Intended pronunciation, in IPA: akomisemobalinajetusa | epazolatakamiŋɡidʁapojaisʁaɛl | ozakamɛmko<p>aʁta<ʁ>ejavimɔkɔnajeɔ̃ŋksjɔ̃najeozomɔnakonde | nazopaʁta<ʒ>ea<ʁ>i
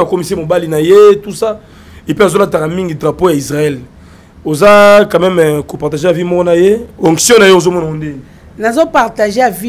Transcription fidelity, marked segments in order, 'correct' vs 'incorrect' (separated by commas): correct, incorrect, correct, incorrect